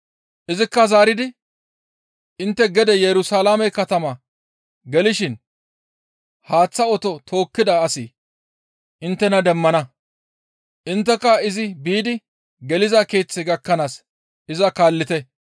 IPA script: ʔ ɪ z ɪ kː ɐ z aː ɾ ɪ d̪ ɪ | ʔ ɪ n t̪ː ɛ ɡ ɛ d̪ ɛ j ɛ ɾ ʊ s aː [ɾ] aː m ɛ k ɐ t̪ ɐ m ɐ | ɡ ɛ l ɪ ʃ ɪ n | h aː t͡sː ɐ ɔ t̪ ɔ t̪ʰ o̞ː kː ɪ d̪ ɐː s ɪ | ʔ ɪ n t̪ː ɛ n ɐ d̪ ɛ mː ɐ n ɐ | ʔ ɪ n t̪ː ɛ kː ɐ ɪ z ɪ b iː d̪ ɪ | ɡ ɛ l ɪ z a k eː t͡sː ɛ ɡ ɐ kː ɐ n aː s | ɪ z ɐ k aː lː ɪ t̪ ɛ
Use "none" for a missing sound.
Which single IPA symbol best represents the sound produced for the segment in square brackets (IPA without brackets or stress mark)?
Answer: l